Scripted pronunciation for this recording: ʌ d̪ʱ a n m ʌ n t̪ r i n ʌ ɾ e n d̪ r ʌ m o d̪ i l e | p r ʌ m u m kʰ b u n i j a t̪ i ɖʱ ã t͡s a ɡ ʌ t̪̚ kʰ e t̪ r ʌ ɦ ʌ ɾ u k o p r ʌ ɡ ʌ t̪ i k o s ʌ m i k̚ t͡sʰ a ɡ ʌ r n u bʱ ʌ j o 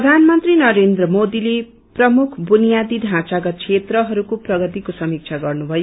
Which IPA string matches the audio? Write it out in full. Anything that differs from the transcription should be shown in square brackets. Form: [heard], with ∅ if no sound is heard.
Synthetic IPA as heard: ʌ d̪ʱ a n m ʌ n t̪ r i n ʌ ɾ e n d̪ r ʌ m o d̪ i l e | p r ʌ m u [∅] kʰ b u n i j a [d̪] i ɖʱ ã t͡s a ɡ ʌ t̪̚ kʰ e t̪ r ʌ ɦ ʌ ɾ u k o p r ʌ ɡ ʌ t̪ i k o s ʌ m i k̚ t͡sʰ a ɡ ʌ r n u bʱ ʌ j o

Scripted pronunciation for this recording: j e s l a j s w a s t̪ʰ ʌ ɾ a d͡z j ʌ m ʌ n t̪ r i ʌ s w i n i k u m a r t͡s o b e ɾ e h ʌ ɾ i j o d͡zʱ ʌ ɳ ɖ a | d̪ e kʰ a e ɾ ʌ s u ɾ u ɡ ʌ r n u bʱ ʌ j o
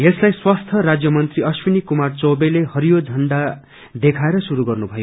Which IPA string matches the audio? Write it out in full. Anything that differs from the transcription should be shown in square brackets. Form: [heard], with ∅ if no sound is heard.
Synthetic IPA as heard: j e s l a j s w a s t̪ʰ ʌ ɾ a d͡z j ʌ m ʌ n t̪ r i ʌ s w i n i k u m a r t͡s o b e [l] e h ʌ ɾ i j o d͡zʱ ʌ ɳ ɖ a | d̪ e kʰ a e ɾ ʌ s u ɾ u ɡ ʌ r n u bʱ ʌ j o

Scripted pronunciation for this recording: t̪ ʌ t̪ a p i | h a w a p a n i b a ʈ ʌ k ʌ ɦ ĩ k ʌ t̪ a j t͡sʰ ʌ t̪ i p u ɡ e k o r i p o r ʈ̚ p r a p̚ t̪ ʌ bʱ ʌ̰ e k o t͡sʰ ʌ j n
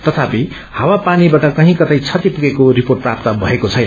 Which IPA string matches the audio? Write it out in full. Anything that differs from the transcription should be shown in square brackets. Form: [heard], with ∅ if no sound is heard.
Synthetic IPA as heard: t̪ ʌ [t̪ʰ] a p i | h a w a p a n i b a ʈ ʌ k ʌ ɦ ĩ k ʌ t̪ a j t͡sʰ ʌ t̪ i p u ɡ e k o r i p o r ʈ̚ p r a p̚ t̪ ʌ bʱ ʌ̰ e k o t͡sʰ ʌ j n

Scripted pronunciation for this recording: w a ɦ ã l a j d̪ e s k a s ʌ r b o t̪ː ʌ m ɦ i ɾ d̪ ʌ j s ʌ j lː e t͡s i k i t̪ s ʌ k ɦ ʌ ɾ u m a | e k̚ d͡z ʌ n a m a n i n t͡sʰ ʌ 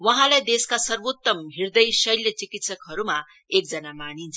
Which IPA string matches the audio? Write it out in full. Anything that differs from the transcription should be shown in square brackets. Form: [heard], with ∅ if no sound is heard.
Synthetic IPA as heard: w [ʌ] ɦ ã l a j d̪ e s k a s ʌ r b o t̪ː ʌ m ɦ i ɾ d̪ ʌ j s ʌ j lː e t͡s i k i t̪ s ʌ k ɦ ʌ ɾ u m a | e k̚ d͡z ʌ n a m a n i n t͡sʰ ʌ

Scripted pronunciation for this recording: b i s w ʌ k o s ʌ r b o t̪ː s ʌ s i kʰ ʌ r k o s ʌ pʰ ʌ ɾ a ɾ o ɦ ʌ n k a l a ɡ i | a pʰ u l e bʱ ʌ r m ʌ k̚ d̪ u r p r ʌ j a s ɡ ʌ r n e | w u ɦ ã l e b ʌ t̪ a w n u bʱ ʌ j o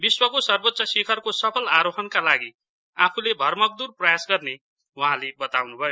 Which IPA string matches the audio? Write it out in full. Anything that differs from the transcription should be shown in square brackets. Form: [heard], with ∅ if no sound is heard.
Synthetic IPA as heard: b i s w ʌ k o s ʌ r b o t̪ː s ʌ s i kʰ ʌ r k o s ʌ pʰ ʌ [l] a ɾ o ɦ ʌ n k a l a ɡ i | a pʰ u l e bʱ ʌ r m ʌ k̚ d̪ u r p r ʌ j a s ɡ ʌ r n e | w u ɦ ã l e b ʌ t̪ a w n u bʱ ʌ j o

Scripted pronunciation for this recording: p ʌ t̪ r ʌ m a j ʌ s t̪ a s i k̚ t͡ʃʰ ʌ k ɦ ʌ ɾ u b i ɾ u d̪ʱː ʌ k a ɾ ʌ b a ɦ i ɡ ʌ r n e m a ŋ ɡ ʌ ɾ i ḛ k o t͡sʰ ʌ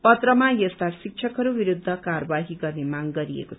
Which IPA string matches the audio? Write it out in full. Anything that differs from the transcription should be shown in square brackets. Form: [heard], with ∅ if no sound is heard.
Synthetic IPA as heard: p ʌ t̪ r ʌ m a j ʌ s t̪ a s i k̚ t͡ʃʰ ʌ k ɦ ʌ ɾ u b i ɾ u d̪ʱː ʌ k a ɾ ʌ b a ɦ i ɡ ʌ r n e m a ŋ ɡ ʌ ɾ i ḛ k o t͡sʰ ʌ

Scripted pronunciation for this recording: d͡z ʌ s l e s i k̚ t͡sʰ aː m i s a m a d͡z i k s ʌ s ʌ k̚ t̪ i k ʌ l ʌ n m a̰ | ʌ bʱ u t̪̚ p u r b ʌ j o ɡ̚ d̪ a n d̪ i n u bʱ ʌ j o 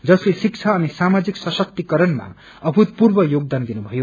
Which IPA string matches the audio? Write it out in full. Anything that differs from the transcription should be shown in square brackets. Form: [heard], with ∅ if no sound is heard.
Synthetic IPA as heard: d͡z ʌ s l e s i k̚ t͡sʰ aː [n] i s a m a d͡z i k s ʌ s ʌ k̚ t̪ i k ʌ [ɾ] ʌ n m a̰ | ʌ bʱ u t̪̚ p u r b ʌ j o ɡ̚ d̪ a n d̪ i n u bʱ ʌ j o

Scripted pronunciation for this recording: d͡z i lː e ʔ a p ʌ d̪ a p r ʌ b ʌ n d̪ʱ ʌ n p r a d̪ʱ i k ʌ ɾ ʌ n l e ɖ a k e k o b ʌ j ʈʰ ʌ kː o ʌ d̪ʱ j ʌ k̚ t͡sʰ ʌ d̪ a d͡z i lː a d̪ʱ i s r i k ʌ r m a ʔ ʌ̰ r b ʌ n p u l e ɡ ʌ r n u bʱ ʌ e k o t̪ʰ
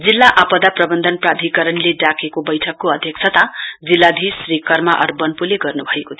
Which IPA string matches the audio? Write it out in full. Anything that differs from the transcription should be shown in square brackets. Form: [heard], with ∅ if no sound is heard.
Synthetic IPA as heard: d͡z i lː [a] ʔ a p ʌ d̪ a p r ʌ b ʌ n d̪ʱ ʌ n p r a d̪ʱ i k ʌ ɾ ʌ n l e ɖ a k e k o b ʌ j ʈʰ ʌ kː o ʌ d̪ʱ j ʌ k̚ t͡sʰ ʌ [t̪] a d͡z i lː a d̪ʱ i s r i k ʌ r m a ʔ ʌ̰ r b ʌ n p u l e ɡ ʌ r n u bʱ ʌ e k o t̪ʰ

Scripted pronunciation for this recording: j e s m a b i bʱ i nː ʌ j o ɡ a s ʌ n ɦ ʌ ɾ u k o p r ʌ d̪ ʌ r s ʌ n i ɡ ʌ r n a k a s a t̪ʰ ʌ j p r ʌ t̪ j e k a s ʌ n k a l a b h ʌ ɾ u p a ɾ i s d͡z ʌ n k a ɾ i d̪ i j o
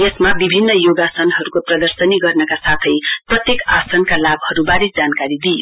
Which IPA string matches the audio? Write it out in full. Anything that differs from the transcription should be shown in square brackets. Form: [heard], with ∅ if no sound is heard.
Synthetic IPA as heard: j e s m a b i bʱ i nː ʌ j o ɡ a s ʌ n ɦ ʌ ɾ u k o p r ʌ d̪ ʌ r s ʌ n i ɡ ʌ r n [ʌ] k a s a t̪ʰ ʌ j p r ʌ t̪ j e k a s ʌ n k a l a b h ʌ ɾ u [b] a ɾ i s d͡z [a] n k a ɾ i d̪ i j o

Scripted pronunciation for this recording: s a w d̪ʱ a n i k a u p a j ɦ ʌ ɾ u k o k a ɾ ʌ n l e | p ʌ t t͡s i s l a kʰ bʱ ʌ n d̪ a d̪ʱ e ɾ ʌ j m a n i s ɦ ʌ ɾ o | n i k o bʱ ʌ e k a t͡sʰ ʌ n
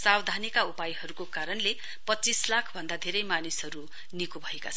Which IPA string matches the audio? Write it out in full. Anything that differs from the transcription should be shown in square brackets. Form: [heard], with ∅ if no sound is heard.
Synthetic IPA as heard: s a w d̪ʱ a n i k a u p a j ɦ ʌ ɾ u k o k a ɾ ʌ n l e | p ʌ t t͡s i s l a kʰ bʱ ʌ n d̪ a d̪ʱ e ɾ ʌ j m a n i s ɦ ʌ ɾ [u] | n i k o bʱ ʌ e k a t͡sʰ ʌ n

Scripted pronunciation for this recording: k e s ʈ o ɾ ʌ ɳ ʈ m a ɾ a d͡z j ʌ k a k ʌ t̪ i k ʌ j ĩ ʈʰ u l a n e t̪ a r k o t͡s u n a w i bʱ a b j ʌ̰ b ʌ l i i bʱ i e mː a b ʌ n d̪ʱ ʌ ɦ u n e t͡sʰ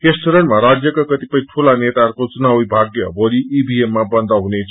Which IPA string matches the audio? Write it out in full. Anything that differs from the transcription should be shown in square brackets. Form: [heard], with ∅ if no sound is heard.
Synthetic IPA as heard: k e s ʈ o ɾ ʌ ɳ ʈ m a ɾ a d͡z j ʌ k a k ʌ t̪ i [p] ʌ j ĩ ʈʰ u l a n e t̪ a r k o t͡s u n a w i bʱ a [ɡ] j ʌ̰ b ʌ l i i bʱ i e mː a b ʌ n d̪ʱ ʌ ɦ u n e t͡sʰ

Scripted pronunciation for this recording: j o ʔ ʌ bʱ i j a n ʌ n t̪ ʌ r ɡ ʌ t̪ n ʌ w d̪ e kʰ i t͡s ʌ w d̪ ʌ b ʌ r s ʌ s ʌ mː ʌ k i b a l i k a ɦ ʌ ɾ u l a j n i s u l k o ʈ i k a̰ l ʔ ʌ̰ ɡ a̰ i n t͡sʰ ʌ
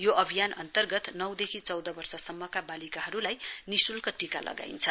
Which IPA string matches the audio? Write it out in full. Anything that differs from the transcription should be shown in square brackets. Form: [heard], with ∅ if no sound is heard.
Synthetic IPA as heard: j o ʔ ʌ bʱ i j a n ʌ n t̪ ʌ r ɡ ʌ t̪ n ʌ w d̪ e kʰ i t͡s ʌ w d̪ ʌ b ʌ r s ʌ s ʌ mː ʌ k [a] b a l i k a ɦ ʌ ɾ u l a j n i s u l k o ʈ i k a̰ l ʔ ʌ̰ ɡ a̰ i n t͡sʰ ʌ

